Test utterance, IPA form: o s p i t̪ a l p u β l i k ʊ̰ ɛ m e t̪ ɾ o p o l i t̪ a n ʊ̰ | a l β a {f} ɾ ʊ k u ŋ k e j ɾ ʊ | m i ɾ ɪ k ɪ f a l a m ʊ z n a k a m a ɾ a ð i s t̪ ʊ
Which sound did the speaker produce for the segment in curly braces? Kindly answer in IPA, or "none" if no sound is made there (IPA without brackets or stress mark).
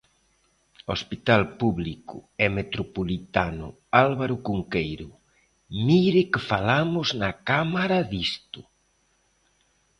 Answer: none